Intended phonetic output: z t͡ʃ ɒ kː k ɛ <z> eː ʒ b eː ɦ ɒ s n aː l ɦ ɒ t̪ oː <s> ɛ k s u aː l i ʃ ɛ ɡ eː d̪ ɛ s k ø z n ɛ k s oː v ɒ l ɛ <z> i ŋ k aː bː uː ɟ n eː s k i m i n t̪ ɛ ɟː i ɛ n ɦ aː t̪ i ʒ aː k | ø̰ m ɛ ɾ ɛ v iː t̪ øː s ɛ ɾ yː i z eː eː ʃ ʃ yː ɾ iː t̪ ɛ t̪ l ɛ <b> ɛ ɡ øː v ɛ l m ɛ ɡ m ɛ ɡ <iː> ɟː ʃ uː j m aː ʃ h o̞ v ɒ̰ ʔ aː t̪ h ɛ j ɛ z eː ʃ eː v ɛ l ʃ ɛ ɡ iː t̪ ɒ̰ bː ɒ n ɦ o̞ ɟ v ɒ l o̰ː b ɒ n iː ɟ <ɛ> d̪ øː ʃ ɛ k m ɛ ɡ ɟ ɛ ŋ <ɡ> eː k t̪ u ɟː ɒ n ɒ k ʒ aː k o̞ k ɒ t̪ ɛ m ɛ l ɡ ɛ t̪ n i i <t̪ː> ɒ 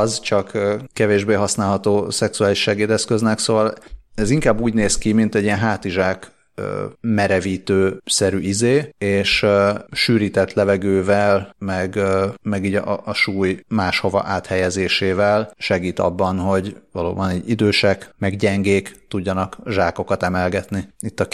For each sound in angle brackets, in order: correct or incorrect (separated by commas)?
incorrect, correct, correct, incorrect, correct, incorrect, correct, correct